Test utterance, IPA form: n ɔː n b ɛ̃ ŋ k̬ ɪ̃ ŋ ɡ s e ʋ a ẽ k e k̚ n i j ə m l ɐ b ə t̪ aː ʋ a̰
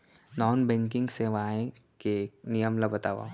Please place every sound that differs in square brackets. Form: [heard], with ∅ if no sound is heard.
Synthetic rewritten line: n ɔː n b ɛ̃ ŋ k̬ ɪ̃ ŋ ɡ s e ʋ a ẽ k e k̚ n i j ə m l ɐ b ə t̪ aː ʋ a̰